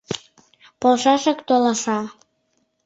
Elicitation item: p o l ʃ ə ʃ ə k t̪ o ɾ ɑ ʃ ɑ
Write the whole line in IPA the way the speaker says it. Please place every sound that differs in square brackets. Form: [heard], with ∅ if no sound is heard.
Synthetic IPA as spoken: p o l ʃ [ɑ] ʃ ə k t̪ o [l] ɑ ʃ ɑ